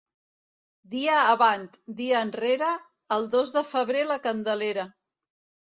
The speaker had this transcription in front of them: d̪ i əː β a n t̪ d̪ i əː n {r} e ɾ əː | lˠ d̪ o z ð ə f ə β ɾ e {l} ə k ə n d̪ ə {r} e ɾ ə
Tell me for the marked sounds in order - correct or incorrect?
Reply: correct, correct, incorrect

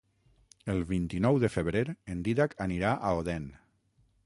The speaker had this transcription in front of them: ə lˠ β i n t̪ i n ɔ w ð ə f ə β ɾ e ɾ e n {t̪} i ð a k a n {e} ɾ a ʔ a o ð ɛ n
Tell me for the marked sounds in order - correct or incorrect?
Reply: incorrect, incorrect

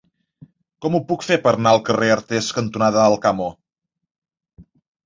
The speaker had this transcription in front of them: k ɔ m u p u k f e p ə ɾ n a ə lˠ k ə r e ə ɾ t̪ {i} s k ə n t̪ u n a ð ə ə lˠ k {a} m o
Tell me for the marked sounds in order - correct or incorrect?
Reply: incorrect, correct

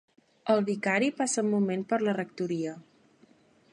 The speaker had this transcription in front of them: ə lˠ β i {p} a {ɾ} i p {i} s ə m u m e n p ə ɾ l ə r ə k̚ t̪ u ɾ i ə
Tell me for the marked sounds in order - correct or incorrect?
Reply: incorrect, correct, incorrect

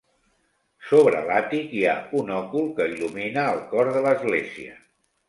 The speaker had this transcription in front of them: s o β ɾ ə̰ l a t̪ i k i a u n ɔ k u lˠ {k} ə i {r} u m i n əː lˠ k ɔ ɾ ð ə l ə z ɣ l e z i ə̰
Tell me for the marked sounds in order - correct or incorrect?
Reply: correct, incorrect

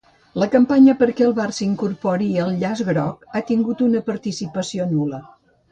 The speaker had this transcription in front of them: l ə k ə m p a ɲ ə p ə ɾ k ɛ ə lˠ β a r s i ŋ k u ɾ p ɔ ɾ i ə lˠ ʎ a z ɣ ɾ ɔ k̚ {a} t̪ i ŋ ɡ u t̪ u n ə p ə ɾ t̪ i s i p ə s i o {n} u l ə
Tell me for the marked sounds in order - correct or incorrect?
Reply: correct, correct

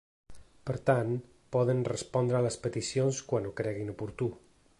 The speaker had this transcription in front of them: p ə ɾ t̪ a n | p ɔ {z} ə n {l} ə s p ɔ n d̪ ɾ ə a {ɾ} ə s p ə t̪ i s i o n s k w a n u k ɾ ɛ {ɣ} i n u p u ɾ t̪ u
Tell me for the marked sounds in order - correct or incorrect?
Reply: incorrect, incorrect, incorrect, correct

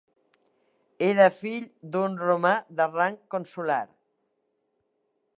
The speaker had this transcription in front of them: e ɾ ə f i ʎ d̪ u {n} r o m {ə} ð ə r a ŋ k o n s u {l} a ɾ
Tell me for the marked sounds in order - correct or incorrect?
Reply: correct, incorrect, correct

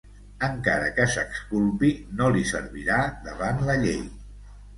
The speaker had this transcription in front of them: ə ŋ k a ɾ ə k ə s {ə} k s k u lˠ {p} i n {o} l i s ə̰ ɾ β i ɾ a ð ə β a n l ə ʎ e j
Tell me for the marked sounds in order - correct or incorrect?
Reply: correct, correct, correct

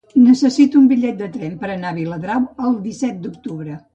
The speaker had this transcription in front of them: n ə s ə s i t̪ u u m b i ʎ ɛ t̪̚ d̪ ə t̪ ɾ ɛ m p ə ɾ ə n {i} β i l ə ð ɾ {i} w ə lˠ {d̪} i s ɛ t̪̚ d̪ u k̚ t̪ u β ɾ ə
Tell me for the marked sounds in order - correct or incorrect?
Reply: incorrect, incorrect, correct

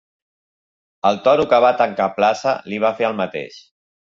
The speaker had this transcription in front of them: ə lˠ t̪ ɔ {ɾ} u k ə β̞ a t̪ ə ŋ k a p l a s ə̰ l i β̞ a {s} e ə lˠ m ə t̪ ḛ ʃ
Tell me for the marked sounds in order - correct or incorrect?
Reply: correct, incorrect

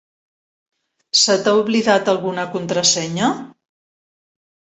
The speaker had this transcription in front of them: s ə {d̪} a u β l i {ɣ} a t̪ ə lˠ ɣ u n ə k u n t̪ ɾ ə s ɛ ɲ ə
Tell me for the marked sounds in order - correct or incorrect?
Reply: incorrect, incorrect

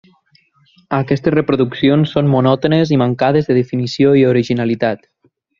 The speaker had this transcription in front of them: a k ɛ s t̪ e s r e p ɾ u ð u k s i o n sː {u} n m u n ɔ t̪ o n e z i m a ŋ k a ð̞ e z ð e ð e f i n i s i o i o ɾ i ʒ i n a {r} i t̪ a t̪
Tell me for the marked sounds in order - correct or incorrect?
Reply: incorrect, incorrect

